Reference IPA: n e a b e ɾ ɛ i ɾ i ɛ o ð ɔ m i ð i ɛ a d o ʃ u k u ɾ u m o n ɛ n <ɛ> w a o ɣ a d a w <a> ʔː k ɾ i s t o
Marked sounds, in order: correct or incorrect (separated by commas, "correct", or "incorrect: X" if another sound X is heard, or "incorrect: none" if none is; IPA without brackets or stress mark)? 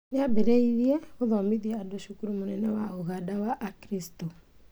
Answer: correct, correct